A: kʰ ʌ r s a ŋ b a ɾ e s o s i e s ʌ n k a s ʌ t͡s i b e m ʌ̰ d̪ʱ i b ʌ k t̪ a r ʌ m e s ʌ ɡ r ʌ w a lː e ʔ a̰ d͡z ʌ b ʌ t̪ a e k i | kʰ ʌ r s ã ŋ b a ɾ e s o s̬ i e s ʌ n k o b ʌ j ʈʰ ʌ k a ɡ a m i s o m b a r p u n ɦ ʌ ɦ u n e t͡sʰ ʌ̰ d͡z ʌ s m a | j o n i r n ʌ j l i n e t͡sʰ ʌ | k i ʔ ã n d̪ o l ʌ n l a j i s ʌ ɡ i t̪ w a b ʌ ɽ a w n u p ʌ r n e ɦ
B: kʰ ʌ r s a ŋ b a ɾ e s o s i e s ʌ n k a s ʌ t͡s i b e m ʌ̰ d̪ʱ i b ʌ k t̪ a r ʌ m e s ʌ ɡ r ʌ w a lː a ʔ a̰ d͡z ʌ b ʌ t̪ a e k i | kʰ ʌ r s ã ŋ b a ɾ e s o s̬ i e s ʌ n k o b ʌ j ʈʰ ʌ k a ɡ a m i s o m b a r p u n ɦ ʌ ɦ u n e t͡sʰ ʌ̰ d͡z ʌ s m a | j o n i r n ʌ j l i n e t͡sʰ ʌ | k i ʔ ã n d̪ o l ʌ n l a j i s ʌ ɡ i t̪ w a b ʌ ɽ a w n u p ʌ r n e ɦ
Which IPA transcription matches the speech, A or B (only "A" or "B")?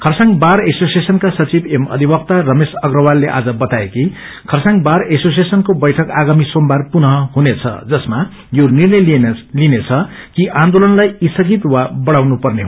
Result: A